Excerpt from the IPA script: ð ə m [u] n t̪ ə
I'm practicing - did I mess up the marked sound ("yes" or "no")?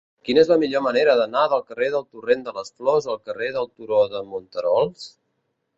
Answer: no